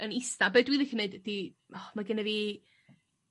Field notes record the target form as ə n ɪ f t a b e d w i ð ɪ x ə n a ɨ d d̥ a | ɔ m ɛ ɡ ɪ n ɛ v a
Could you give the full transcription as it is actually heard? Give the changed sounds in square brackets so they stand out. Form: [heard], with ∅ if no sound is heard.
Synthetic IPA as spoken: ə n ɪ [s] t a b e d w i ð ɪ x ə n [e] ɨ d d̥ [i] | ɔ m [a] ɡ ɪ n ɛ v [i]